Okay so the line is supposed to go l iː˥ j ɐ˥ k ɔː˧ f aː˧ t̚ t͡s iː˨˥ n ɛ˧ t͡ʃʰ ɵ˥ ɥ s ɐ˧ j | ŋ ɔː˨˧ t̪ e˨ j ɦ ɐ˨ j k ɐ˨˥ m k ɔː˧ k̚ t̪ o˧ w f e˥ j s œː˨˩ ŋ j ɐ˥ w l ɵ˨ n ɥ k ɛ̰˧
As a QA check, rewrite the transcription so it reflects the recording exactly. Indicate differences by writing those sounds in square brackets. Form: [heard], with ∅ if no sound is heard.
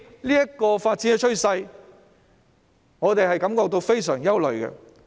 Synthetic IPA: l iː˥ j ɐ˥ k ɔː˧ f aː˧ t̚ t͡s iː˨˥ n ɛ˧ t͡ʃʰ ɵ˥ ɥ s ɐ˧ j | ŋ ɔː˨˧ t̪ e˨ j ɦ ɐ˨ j k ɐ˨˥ m k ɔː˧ k̚ t̪ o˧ w f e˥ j s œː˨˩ ŋ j ɐ˥ w l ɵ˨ [∅] ɥ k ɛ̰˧

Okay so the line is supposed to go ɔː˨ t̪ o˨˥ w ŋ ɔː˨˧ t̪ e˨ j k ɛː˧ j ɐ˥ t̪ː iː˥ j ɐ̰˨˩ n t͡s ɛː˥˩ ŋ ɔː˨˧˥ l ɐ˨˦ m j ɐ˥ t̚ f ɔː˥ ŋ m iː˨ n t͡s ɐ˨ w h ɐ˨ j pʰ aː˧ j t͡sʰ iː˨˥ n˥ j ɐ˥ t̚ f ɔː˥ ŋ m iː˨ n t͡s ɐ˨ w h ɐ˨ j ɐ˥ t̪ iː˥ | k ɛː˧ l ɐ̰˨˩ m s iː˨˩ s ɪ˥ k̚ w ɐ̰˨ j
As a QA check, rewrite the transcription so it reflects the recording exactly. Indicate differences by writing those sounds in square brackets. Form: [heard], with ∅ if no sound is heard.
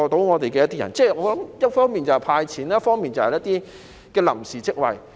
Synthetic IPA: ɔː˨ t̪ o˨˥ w ŋ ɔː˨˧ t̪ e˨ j k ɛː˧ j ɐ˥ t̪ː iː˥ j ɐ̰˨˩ n t͡s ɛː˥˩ ŋ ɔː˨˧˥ l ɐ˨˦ m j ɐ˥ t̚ f ɔː˥ ŋ m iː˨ n t͡s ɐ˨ w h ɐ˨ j pʰ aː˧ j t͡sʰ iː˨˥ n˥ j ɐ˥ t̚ f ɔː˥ ŋ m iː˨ n t͡s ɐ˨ w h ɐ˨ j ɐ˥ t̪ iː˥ | k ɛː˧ l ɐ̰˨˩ m s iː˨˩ [t͡s] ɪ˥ k̚ w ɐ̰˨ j

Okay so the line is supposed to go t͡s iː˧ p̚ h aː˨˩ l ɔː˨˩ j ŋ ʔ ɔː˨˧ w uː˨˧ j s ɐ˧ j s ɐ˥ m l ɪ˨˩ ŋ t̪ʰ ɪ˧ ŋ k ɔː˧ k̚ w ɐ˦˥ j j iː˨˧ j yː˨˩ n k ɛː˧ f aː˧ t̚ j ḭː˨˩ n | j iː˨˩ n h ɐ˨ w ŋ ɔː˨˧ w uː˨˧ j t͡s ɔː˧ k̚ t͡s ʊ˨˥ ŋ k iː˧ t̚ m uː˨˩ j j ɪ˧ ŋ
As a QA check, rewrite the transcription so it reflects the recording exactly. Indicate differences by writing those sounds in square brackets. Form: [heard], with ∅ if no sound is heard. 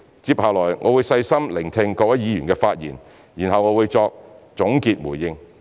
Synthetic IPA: t͡s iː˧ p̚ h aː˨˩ l ɔː˨˩ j ŋ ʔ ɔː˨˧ w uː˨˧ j s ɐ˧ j s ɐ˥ m l ɪ˨˩ ŋ t̪ʰ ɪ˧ ŋ k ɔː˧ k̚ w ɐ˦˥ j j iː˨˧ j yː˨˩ n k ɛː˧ f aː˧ t̚ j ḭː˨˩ n | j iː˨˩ n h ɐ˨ w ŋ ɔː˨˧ w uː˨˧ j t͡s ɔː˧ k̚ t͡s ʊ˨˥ ŋ k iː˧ t̚ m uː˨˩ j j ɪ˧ ŋ

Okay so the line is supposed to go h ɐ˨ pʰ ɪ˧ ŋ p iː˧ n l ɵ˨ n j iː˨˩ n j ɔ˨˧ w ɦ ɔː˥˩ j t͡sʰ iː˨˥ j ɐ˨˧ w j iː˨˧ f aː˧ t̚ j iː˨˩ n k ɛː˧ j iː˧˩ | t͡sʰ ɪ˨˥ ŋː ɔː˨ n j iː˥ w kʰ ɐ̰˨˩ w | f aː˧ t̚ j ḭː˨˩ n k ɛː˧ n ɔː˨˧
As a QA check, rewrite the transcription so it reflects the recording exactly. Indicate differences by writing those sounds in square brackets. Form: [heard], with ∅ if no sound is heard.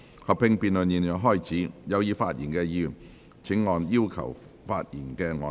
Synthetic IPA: h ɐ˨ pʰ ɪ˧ ŋ p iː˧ n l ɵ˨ n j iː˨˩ n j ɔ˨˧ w ɦ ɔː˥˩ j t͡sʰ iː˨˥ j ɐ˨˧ w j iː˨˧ f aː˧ t̚ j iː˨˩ n k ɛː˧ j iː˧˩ | t͡sʰ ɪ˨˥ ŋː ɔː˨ n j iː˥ w kʰ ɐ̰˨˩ w | f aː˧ t̚ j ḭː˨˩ n k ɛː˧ [ŋ] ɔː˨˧

